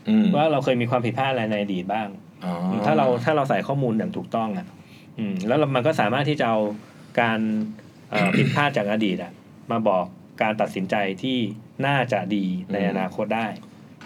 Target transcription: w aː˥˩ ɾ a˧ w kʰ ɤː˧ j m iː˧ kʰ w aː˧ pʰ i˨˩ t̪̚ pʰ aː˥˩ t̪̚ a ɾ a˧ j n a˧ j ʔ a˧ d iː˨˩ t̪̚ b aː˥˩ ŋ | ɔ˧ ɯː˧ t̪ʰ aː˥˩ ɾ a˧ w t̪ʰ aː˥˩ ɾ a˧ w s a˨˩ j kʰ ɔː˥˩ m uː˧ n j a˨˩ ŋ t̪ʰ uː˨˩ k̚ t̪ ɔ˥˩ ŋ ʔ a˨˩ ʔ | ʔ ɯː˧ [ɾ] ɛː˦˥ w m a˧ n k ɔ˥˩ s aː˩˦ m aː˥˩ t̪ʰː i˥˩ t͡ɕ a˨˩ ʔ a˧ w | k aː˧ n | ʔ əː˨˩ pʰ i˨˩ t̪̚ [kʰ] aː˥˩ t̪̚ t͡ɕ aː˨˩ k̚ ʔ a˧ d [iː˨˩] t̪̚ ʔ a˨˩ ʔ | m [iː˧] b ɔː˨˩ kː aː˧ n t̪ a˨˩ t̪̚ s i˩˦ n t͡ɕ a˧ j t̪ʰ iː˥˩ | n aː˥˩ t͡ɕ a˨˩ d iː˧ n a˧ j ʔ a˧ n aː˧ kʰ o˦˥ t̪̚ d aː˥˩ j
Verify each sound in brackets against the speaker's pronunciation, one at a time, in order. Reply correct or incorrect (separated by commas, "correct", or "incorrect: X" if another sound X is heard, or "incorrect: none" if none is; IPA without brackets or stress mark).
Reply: incorrect: l, incorrect: pʰ, correct, incorrect: aː˧